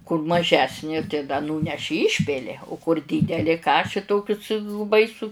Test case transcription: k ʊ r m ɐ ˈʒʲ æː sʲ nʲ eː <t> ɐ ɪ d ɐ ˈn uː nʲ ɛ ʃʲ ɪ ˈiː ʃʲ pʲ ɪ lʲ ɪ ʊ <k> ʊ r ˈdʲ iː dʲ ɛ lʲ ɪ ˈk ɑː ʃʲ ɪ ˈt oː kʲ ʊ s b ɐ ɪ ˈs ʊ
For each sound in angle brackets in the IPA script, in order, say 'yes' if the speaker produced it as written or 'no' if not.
yes, yes

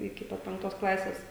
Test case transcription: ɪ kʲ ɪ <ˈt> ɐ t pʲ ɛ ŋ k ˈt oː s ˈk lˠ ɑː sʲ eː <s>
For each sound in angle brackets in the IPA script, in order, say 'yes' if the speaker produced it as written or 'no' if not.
no, yes

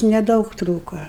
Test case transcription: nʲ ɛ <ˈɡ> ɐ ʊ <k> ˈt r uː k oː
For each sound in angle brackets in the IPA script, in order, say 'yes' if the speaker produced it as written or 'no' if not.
no, yes

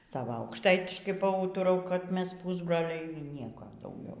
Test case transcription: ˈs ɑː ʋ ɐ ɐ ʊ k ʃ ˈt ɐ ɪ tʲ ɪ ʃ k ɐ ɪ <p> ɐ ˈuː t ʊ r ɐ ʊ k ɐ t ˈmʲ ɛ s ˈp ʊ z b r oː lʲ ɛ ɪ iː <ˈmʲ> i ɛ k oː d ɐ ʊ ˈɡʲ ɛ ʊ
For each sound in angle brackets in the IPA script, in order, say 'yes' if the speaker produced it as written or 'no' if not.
yes, no

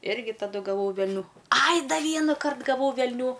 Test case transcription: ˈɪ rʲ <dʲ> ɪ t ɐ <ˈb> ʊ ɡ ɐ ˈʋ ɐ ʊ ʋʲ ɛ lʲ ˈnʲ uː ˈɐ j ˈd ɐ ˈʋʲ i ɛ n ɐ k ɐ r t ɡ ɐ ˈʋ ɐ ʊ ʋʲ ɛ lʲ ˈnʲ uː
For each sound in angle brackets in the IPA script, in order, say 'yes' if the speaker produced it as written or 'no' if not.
no, no

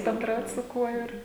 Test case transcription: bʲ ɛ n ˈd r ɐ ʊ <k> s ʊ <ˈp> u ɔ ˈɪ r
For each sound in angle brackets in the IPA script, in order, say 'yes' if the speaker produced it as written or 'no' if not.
no, no

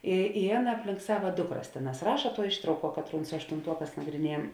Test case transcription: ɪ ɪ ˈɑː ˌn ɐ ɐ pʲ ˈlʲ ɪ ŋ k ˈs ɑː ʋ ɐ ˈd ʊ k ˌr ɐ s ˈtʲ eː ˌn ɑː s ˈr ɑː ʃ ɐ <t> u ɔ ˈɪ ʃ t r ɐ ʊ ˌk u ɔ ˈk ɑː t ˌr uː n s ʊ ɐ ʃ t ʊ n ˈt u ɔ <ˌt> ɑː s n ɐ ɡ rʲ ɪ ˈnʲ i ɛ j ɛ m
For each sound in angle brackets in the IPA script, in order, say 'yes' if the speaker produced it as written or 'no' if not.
yes, no

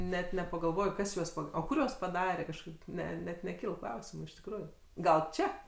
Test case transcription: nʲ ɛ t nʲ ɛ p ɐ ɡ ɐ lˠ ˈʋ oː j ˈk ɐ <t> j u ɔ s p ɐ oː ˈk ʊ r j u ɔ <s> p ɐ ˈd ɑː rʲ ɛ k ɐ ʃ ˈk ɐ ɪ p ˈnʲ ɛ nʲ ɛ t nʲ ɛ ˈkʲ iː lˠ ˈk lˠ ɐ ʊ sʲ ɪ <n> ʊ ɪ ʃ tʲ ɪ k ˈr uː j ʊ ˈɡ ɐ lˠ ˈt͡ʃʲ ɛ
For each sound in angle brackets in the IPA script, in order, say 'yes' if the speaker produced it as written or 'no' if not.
no, yes, no

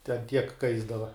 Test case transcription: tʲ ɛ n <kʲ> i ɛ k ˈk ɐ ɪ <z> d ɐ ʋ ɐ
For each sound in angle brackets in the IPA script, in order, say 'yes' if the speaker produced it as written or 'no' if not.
no, yes

